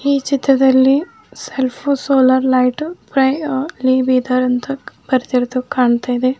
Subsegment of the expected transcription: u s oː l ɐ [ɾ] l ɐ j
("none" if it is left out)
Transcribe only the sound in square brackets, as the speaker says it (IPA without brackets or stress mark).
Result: ɾ